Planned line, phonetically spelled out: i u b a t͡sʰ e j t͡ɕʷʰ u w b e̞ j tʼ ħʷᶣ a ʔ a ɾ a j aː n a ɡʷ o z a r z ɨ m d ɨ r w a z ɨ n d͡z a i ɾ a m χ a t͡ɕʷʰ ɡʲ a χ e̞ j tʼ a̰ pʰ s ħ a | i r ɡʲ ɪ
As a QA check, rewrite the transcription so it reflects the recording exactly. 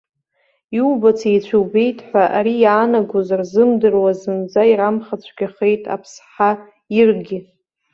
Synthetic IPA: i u b a t͡sʰ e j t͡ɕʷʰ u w b e̞ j tʼ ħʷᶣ a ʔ a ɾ i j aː n a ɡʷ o z a r z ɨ m d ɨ r w a z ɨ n d͡z a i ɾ a m χ a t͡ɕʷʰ ɡʲ a χ e̞ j tʼ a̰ pʰ s ħ a | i r ɡʲ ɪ